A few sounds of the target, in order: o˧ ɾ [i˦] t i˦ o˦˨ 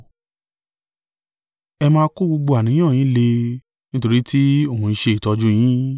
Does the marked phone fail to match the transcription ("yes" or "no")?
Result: no